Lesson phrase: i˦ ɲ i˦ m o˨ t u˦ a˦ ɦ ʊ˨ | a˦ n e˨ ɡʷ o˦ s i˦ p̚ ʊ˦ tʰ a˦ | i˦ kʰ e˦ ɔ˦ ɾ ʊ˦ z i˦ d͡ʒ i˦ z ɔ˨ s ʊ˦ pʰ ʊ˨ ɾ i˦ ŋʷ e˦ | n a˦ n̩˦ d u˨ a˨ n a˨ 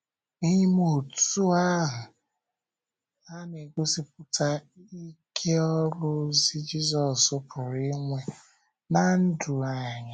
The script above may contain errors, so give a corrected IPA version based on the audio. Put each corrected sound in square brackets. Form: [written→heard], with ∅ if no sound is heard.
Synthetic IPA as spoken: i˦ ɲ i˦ m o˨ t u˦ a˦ ɦ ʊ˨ | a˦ n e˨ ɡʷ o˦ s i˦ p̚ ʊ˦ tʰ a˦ | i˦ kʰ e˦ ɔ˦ ɾ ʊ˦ z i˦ d͡ʒ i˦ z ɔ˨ s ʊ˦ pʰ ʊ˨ ɾ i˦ ŋʷ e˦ | n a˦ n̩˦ d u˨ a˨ [n→ɲ] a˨